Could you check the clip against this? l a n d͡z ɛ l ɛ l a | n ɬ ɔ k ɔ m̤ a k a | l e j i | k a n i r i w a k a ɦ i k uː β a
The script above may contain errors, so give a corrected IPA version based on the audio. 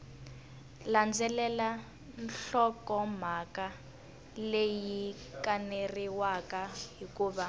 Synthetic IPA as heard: l a n d͡z ɛ l ɛ l a | n ɬ ɔ k ɔ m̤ a k a | l e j i | k a n e r i w a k a ɦ i k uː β a